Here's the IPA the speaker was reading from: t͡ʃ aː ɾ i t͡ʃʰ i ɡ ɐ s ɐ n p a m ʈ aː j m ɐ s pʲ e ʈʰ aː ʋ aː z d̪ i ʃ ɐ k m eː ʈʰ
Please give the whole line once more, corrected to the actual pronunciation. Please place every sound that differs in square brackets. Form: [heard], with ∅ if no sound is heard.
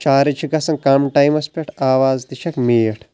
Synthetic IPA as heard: t͡ʃ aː ɾ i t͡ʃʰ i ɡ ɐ s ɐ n [k] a m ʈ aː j m ɐ s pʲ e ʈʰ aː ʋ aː z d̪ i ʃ ɐ k m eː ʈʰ